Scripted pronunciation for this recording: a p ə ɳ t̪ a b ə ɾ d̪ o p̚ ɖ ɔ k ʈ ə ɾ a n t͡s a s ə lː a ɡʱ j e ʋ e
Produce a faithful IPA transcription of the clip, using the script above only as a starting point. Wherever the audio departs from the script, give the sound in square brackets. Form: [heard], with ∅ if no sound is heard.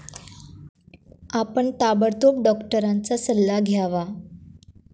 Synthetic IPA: a p ə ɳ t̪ a b ə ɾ [t̪] o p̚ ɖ ɔ k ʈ ə ɾ a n t͡s a s ə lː a ɡʱ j [a] ʋ [a]